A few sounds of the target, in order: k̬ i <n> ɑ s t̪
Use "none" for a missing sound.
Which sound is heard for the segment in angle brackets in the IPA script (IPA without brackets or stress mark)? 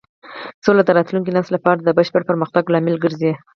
n